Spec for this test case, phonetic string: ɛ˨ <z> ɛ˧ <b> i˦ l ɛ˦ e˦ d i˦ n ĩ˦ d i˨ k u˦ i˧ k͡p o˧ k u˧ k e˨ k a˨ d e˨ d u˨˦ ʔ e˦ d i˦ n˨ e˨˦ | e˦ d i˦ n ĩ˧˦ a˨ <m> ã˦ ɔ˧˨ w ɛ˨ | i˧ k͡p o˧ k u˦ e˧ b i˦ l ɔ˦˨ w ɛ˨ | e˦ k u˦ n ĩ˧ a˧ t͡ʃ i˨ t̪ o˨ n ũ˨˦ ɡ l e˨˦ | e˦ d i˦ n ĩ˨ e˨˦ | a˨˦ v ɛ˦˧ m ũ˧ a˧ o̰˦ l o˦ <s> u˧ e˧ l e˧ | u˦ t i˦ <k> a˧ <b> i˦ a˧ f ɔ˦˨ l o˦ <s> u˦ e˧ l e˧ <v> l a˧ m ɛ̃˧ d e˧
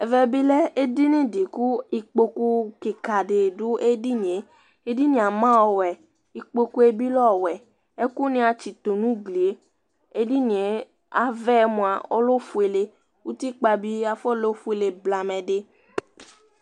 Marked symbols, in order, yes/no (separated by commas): no, yes, yes, no, no, yes, no, no